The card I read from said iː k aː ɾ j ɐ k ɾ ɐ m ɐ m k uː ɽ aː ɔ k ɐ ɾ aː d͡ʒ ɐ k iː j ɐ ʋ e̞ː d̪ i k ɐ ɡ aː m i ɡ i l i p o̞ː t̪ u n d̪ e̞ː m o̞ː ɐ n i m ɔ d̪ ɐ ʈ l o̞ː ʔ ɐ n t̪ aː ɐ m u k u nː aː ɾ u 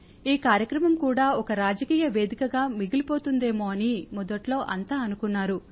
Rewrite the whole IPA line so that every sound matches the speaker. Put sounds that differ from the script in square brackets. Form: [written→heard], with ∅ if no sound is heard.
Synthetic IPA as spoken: iː k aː ɾ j ɐ k ɾ ɐ m ɐ m k uː ɽ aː ɔ k ɐ ɾ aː d͡ʒ ɐ k iː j ɐ ʋ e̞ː d̪ i k ɐ ɡ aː m i ɡ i l i p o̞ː t̪ u n d̪ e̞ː m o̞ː ɐ n i m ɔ d̪ ɐ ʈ l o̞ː ʔ ɐ n t̪ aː ɐ [m→n] u k u nː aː ɾ u